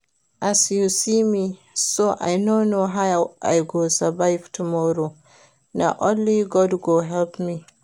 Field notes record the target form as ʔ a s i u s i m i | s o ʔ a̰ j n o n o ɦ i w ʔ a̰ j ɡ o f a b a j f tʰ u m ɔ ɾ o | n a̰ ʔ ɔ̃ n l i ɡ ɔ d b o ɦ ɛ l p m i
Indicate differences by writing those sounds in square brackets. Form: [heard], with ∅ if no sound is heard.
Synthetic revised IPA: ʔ a s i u s i m i | s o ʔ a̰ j n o n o ɦ [a] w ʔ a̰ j ɡ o [s] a b a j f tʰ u m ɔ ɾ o | n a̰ ʔ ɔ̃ n l i ɡ ɔ d [ɡ] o ɦ ɛ l p m i

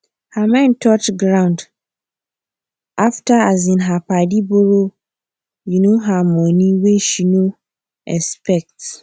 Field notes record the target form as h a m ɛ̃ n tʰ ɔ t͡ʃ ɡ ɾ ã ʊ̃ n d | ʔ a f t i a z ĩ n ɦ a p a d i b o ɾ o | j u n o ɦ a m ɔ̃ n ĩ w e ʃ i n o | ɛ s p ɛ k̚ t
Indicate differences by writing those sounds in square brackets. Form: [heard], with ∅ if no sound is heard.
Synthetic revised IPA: h a m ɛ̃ n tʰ ɔ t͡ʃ ɡ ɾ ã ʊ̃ n d | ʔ a f t [a] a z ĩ n ɦ a p a d i b o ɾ o | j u n o ɦ a m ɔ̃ n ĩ w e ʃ i n o | ɛ s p ɛ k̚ t

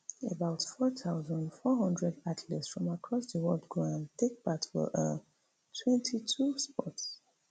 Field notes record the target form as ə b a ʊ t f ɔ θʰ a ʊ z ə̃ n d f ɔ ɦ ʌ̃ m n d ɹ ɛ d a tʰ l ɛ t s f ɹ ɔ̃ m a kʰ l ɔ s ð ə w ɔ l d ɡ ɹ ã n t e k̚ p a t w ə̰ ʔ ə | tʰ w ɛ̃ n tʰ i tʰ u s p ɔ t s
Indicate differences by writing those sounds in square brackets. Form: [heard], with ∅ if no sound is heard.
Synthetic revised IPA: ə b a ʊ t f ɔ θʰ a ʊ z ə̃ n d f ɔ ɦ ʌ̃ [∅] n d ɹ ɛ d a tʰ l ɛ t s f ɹ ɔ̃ m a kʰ [ɹ] ɔ s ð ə w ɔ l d ɡ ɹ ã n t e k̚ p a t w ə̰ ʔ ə | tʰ w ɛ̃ n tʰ i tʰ u s p ɔ t s

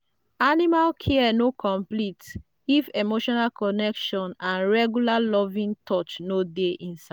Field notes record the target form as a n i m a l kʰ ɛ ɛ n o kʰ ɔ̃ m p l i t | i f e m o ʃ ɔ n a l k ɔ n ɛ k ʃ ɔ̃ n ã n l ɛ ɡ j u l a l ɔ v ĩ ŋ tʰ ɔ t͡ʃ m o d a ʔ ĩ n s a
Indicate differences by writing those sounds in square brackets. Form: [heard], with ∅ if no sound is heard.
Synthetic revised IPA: a n i m a l kʰ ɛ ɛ n o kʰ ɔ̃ m p l i t | i f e m o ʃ ɔ n a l k ɔ n ɛ k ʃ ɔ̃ n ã n [ɹ] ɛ ɡ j u l a l ɔ v ĩ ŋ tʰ ɔ t͡ʃ [n] o d [e] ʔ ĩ n s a

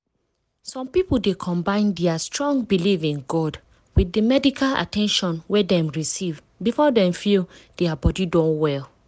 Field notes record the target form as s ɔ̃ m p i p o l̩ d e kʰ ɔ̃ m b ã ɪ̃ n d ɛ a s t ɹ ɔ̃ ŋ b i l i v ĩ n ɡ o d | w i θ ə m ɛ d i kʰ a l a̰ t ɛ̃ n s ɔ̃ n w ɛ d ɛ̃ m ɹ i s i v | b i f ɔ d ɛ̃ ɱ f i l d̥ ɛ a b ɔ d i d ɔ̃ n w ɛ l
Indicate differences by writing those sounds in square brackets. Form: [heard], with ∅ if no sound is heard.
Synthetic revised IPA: s ɔ̃ m p i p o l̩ d e kʰ ɔ̃ m b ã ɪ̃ n d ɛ a s t ɹ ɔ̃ ŋ b i l i v ĩ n ɡ [ɔ] d | w i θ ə m ɛ d i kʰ a l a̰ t ɛ̃ n [ʃ] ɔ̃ n w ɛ d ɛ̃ m ɹ i s i v | b i f ɔ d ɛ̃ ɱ f i l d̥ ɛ a b ɔ d i d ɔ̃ n w ɛ l

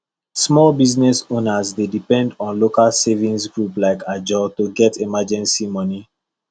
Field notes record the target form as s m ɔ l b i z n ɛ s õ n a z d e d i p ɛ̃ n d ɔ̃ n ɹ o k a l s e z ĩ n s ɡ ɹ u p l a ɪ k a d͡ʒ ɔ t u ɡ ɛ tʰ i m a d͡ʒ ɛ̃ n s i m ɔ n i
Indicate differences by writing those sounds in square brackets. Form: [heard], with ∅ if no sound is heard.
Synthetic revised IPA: s m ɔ l b i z n ɛ s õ n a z d e d i p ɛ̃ n d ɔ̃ n [l] o k a l s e [v] ĩ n s ɡ ɹ u p l a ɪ k a d͡ʒ ɔ t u ɡ ɛ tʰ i m a d͡ʒ ɛ̃ n s i m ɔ n i

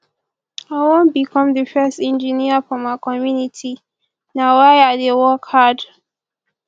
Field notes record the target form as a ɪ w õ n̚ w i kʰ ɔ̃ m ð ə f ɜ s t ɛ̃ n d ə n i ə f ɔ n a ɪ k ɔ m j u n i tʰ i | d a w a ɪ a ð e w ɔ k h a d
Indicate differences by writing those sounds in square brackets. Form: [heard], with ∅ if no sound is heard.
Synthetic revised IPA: a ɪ w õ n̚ [b] i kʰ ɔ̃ m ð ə f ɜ s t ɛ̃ n [d͡ʒ] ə n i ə f ɔ [m] a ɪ k ɔ m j u n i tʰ i | [n] a w a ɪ a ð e w ɔ k h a d

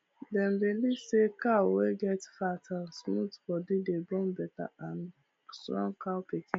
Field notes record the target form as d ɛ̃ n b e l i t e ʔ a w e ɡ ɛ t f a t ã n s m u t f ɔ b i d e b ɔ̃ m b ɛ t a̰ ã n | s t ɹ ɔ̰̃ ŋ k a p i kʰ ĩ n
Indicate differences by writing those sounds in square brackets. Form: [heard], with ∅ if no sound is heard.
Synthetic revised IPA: d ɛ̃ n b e l i [s] e [k] a w e ɡ ɛ t f a t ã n s m u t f ɔ [d] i d e b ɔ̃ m b ɛ t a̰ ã n | s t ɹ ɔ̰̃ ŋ k a p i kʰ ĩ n

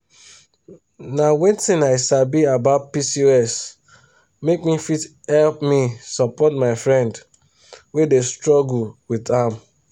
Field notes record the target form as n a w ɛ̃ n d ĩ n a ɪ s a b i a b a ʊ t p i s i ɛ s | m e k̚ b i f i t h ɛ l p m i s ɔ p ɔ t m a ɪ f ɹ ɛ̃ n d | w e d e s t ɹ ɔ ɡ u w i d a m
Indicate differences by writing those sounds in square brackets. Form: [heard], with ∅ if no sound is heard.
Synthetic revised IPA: n a w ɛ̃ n [t] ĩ n a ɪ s a b i a b a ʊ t p i s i ɛ s | m e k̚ [m] i f i t h ɛ l p m i s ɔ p ɔ t m a ɪ f ɹ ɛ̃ n d | w e d e s t ɹ ɔ ɡ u w i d a m

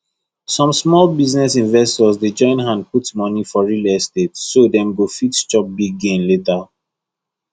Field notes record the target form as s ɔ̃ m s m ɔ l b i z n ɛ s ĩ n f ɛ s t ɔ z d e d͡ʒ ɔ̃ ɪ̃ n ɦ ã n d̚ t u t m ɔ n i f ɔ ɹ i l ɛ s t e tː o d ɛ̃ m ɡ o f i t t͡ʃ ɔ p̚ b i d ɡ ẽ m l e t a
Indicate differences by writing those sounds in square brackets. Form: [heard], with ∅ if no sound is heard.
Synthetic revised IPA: s ɔ̃ m s m ɔ l b i z n ɛ s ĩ n [v] ɛ s t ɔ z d e d͡ʒ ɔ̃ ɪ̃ n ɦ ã n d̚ [p] u t m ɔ n i f ɔ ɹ i l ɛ s t e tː o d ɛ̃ m ɡ o f i t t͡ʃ ɔ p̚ b i [ɡ] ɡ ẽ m l e t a

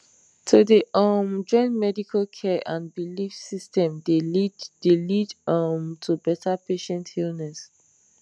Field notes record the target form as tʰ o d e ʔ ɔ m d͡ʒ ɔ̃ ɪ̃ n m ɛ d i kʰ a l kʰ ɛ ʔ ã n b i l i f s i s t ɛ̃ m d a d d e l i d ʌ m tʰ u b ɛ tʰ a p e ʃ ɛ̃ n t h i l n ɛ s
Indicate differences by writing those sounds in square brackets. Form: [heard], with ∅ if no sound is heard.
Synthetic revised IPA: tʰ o d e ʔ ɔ m d͡ʒ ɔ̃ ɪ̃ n m ɛ d i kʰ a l kʰ ɛ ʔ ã n b i l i f s i s t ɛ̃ m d [e] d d e l i d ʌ m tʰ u b ɛ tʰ a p e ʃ ɛ̃ n t h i l n ɛ s

